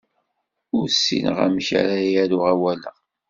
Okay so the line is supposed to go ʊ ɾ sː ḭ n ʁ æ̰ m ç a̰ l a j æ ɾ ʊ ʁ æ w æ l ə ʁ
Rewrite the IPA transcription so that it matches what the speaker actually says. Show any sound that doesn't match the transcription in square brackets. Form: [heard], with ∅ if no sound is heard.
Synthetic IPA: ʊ ɾ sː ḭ n ʁ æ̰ m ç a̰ [ɾ] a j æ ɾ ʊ ʁ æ w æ l ə ʁ